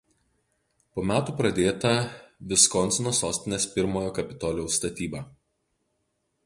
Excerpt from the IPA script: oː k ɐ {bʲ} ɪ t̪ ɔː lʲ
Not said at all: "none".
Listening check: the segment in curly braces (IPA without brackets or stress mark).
pʲ